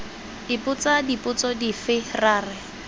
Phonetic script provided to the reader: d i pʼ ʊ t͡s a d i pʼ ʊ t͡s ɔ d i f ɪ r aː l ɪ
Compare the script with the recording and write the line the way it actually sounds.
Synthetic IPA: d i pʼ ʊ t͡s a d i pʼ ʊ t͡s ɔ d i f ɪ r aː r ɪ